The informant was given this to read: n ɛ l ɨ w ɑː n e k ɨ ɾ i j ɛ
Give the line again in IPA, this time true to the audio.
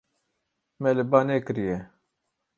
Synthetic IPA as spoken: m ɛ l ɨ b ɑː n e k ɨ ɾ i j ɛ